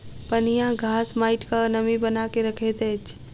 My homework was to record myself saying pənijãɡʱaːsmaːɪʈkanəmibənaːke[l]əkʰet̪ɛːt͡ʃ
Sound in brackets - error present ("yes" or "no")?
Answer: yes